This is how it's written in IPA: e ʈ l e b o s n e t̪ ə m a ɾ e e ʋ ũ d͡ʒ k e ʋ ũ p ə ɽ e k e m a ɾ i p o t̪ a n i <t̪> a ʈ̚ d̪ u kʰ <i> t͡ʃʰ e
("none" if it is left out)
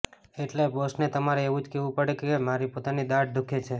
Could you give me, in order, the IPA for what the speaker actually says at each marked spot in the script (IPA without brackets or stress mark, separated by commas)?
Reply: d̪, e